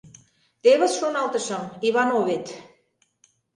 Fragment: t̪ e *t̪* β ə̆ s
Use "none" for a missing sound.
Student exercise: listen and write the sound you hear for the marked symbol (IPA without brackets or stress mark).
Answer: none